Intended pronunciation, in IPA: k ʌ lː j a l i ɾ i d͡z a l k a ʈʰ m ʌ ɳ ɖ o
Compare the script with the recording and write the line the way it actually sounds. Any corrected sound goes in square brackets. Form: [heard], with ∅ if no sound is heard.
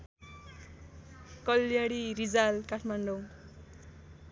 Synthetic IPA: k ʌ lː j a [ɽ] i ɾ i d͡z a l k a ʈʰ m [a] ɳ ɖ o